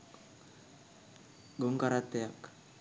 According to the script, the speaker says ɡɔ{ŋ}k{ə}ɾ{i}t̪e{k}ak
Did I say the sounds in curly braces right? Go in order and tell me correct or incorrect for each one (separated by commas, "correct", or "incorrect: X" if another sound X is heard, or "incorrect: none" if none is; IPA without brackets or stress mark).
correct, incorrect: a, incorrect: a, incorrect: none